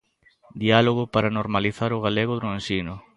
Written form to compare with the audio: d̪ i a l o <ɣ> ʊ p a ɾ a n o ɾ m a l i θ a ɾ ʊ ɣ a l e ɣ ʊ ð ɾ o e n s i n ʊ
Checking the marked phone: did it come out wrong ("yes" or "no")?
no